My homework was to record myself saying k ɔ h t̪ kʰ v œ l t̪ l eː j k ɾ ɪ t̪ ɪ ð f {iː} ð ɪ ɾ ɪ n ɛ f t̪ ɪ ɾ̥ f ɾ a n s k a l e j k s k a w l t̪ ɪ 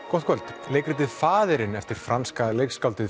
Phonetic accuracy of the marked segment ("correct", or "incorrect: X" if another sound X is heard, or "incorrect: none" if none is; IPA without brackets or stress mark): incorrect: aː